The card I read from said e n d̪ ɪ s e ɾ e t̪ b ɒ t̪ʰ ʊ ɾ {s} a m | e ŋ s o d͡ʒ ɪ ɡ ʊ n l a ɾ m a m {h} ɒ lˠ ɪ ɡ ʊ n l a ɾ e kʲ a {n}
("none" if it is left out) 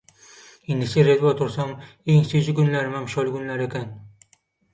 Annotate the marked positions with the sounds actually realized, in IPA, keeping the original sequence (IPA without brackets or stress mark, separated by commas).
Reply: s, ʃ, n